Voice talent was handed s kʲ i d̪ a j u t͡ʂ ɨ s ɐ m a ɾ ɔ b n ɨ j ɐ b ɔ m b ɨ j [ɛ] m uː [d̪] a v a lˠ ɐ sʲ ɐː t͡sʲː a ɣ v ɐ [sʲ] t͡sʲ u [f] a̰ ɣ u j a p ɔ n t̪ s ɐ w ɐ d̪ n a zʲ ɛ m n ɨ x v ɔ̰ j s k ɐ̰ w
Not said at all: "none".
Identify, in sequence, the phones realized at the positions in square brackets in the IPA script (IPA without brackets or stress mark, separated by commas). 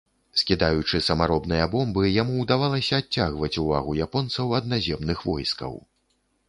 a, d̪, none, v